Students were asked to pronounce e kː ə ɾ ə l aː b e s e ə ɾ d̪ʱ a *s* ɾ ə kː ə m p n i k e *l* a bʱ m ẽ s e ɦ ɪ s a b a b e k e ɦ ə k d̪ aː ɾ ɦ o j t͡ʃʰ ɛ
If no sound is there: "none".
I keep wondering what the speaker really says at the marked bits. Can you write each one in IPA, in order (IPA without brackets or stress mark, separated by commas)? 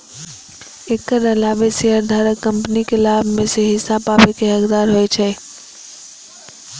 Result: none, l